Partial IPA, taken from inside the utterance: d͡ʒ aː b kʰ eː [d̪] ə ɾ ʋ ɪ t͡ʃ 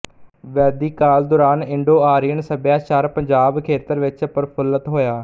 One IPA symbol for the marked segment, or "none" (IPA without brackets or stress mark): t̪